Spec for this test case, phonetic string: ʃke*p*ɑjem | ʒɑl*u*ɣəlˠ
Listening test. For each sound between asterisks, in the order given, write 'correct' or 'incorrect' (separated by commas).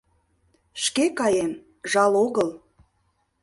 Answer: incorrect, incorrect